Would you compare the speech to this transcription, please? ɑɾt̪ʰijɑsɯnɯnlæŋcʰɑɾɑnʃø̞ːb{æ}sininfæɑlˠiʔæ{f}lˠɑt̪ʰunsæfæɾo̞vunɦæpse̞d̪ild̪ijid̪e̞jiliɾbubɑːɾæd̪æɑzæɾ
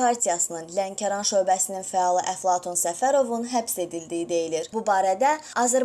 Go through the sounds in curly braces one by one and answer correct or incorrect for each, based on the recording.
correct, correct

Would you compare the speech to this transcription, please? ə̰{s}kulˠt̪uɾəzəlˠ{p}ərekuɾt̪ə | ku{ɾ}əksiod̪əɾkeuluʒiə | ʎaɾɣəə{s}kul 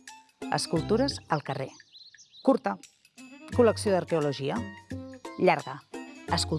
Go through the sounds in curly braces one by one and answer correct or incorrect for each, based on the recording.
correct, incorrect: k, incorrect: l, correct

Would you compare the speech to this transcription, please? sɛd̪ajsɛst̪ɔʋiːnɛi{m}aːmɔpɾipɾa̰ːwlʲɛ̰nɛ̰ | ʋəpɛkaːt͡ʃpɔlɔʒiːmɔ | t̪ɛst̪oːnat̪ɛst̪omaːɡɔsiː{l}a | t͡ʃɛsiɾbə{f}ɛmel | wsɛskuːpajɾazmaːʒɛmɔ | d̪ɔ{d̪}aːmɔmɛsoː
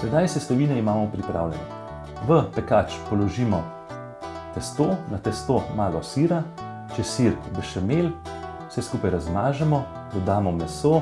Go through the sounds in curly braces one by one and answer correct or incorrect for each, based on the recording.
correct, incorrect: ɾ, incorrect: ʃ, correct

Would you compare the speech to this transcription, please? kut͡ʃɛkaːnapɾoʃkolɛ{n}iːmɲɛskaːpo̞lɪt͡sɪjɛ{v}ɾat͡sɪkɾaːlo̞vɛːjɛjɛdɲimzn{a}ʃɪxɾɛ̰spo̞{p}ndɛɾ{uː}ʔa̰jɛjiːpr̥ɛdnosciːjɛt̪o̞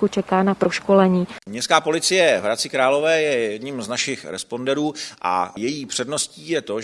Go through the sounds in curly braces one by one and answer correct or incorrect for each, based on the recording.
incorrect: ɲ, correct, correct, incorrect: none, correct

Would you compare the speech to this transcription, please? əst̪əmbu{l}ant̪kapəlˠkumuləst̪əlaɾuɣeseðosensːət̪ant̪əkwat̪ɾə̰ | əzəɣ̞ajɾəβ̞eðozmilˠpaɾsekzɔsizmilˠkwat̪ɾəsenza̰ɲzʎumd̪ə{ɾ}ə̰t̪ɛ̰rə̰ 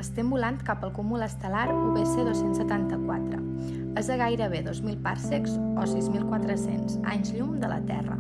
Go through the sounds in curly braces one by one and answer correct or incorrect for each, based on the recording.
correct, incorrect: l

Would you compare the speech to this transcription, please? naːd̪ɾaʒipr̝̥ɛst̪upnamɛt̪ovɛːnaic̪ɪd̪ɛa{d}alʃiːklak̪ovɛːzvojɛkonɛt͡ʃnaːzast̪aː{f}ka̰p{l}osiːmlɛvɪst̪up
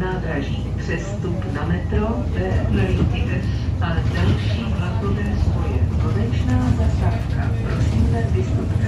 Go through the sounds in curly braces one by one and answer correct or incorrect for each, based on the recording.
correct, correct, incorrect: ɾ

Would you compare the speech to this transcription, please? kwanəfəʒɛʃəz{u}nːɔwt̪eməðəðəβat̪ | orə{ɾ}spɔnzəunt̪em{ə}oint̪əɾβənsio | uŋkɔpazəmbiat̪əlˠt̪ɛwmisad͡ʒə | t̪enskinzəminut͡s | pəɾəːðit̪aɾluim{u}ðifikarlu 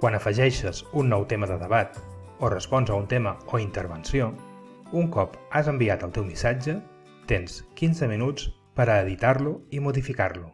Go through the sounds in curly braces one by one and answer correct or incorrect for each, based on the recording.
correct, incorrect: none, correct, correct

